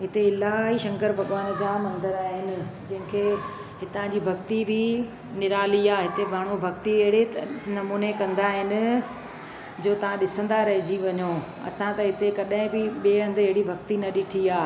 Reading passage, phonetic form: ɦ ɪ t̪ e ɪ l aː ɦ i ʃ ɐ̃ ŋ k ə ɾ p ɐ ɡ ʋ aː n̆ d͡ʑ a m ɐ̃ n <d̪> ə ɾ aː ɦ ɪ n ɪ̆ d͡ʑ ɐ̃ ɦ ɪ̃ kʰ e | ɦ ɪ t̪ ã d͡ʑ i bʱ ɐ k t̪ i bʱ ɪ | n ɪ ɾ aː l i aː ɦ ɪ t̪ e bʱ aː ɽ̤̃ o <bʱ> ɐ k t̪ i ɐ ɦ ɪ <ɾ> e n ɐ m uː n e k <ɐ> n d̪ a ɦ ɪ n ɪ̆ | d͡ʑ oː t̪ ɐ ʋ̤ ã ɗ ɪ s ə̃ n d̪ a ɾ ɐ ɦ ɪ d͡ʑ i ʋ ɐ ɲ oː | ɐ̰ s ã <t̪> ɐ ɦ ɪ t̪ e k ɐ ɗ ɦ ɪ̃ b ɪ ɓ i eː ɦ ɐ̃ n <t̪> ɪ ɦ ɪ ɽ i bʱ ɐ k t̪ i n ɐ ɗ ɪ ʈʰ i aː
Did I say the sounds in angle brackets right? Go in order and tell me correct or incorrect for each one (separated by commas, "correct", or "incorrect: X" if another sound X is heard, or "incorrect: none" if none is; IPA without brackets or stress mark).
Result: correct, correct, incorrect: ɽ, incorrect: ɐ̃, correct, incorrect: d̪